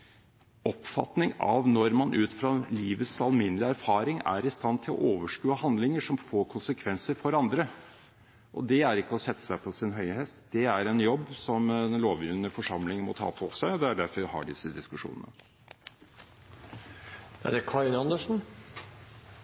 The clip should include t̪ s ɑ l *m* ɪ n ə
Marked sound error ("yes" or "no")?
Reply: no